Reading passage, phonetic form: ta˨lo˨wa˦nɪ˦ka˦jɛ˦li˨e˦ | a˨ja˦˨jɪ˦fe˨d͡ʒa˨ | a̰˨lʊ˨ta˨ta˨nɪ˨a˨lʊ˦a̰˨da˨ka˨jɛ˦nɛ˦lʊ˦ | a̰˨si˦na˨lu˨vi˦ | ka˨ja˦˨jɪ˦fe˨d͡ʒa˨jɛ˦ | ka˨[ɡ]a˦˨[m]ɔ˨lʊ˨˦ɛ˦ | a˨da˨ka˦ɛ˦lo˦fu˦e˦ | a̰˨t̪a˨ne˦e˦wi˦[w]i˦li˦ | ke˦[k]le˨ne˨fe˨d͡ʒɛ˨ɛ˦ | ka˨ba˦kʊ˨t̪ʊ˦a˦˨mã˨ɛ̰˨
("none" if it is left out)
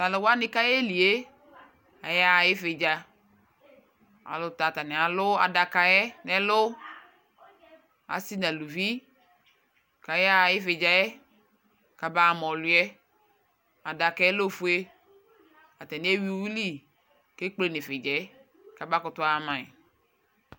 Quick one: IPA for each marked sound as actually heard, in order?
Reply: b, m, w, k͡p

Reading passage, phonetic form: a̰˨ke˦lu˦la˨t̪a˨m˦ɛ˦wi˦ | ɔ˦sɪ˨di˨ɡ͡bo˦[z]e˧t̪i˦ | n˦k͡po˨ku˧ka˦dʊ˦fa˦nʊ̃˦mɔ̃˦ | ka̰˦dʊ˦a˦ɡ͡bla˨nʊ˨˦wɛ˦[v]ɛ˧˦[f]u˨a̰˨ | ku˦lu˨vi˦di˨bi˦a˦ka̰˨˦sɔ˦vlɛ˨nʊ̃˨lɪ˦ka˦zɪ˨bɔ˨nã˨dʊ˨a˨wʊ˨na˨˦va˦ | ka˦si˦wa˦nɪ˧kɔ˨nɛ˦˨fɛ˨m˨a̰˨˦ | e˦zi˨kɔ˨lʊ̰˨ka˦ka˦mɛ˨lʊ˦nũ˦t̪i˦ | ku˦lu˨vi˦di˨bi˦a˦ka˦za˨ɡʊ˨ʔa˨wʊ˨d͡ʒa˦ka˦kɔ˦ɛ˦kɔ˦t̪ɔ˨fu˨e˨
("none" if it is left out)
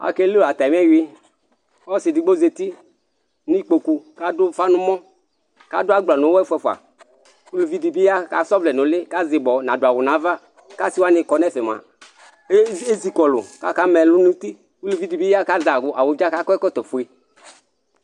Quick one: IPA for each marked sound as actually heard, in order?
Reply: z, f, f

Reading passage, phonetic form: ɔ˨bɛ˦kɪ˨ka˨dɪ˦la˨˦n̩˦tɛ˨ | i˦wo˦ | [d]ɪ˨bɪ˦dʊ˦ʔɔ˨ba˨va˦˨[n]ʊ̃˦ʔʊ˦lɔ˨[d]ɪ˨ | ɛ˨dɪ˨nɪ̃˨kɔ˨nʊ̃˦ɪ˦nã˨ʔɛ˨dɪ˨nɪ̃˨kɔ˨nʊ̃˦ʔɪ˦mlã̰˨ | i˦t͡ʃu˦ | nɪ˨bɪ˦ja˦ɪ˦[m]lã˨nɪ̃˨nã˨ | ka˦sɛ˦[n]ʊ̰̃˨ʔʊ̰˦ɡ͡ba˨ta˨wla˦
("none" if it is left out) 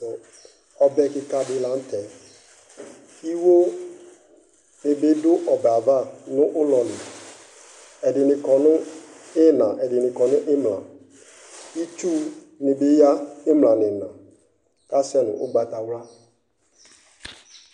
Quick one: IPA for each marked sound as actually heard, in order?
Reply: n, n, n, m, n

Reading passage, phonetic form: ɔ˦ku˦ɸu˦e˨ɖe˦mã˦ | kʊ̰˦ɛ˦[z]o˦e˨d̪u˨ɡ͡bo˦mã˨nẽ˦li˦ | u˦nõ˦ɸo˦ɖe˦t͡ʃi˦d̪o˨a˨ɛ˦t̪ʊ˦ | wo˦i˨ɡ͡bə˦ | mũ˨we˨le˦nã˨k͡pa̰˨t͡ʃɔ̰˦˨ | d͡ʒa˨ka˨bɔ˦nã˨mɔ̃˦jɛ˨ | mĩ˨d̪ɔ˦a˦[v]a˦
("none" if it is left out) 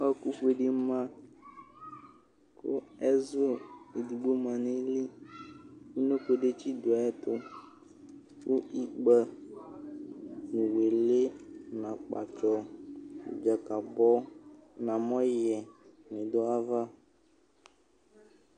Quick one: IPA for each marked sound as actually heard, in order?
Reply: z, v

